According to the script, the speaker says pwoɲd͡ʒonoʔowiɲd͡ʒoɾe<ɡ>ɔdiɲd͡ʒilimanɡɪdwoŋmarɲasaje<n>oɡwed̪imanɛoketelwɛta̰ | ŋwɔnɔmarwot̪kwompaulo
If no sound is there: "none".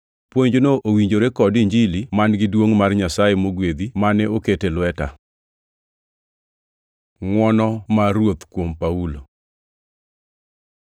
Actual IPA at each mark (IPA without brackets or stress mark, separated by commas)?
k, m